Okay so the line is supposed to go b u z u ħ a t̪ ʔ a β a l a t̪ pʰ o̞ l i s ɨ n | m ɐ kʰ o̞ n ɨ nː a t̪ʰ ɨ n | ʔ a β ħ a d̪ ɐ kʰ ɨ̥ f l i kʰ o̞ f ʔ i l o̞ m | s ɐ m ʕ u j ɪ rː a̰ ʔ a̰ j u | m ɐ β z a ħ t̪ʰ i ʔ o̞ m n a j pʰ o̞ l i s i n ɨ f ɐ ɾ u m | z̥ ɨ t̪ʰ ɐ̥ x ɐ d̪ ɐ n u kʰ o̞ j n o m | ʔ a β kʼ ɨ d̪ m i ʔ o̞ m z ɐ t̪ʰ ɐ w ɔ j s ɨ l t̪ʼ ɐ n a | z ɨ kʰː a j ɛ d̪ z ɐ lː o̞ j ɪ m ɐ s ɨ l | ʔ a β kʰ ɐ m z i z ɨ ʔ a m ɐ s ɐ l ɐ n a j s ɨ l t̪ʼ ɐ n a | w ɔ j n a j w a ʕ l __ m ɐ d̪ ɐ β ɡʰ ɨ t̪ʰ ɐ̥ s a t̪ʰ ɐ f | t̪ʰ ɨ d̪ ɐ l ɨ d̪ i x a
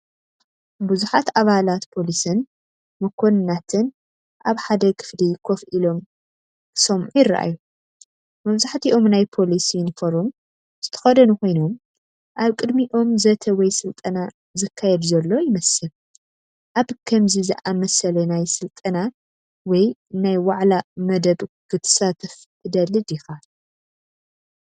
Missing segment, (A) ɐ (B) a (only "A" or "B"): B